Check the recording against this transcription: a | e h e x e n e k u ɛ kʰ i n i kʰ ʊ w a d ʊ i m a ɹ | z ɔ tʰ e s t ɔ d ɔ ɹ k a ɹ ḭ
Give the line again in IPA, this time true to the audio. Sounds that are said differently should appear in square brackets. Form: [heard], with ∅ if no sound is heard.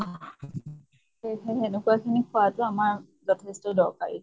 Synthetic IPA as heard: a | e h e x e n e k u [a] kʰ i n i kʰ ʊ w a [t] ʊ [a] m a ɹ | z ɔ tʰ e s t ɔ d ɔ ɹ k a ɹ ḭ